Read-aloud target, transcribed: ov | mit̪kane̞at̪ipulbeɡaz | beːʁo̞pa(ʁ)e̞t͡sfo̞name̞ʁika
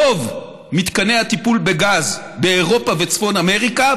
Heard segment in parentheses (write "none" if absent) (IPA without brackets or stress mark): v